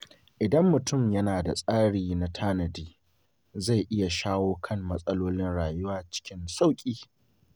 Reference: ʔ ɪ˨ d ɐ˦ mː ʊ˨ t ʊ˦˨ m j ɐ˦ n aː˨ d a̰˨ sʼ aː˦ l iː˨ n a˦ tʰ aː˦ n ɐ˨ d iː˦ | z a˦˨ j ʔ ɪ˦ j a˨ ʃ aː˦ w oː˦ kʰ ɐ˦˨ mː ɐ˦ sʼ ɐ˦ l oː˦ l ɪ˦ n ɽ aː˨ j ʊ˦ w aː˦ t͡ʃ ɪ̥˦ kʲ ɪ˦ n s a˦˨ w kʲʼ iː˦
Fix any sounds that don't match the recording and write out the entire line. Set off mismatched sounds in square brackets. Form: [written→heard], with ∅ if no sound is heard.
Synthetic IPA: ʔ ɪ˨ d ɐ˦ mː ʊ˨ t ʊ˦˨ m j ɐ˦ n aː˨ d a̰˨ sʼ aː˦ [l→ɽ] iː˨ n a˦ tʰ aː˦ n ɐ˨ d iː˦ | z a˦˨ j ʔ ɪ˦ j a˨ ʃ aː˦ w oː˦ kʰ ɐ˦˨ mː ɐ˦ sʼ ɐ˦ l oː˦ l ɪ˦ n ɽ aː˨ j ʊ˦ w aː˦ t͡ʃ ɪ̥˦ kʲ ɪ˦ n s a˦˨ w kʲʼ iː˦